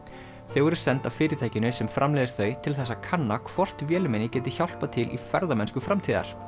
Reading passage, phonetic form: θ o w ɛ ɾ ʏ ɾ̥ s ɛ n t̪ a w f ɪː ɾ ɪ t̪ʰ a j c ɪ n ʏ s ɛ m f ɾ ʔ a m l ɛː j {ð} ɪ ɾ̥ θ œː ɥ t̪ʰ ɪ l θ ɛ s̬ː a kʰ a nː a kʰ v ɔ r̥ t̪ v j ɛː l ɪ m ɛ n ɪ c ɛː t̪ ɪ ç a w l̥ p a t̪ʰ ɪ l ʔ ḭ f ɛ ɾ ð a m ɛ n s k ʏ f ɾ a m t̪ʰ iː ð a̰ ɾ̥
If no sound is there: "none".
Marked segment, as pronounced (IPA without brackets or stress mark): ð